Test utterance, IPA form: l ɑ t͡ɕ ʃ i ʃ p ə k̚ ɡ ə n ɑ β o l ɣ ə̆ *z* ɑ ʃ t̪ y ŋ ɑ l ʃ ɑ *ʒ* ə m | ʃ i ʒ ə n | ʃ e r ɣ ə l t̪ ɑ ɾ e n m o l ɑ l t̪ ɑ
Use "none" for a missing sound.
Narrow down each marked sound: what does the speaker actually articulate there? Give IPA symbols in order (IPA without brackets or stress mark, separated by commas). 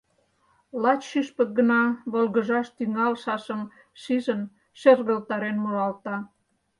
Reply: ʒ, ʃ